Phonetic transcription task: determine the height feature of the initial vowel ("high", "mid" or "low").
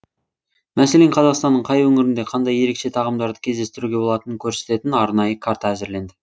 low